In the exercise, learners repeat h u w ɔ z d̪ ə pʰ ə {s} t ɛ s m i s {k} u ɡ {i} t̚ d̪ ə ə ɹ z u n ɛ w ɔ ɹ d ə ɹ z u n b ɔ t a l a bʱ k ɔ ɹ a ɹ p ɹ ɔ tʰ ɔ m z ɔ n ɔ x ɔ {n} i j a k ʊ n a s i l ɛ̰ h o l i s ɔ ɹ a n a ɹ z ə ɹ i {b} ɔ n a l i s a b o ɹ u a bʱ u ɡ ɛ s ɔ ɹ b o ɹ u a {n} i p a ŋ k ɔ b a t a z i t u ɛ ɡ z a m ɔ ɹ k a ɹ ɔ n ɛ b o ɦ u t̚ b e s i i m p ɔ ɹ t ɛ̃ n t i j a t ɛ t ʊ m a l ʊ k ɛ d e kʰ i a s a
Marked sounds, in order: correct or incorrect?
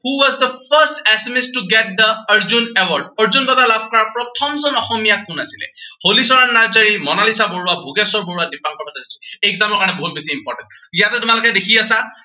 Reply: correct, incorrect: t, incorrect: ɛ, incorrect: m, incorrect: m, incorrect: d

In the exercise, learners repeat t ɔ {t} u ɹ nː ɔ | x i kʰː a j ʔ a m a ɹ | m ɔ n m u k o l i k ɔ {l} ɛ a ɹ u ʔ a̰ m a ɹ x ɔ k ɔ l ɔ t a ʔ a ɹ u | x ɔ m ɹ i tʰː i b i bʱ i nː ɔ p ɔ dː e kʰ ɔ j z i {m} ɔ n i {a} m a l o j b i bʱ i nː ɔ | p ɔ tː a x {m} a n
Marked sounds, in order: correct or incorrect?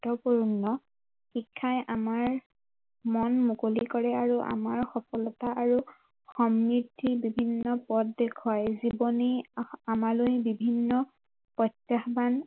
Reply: incorrect: p, incorrect: ɹ, incorrect: b, correct, incorrect: b

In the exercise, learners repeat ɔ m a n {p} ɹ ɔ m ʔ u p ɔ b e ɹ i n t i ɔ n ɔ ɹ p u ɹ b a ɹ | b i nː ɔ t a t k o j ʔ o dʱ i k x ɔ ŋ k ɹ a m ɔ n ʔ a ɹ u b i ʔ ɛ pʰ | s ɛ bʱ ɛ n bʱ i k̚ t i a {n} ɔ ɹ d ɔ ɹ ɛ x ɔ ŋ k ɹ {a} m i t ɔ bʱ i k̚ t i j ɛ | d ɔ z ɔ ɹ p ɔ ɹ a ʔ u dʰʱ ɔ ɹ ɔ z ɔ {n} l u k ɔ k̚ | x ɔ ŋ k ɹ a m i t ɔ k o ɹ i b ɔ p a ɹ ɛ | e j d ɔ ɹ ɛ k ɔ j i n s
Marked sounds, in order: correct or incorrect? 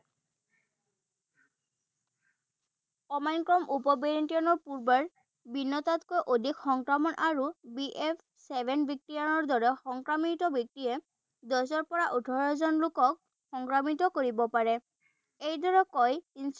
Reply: incorrect: k, correct, correct, correct

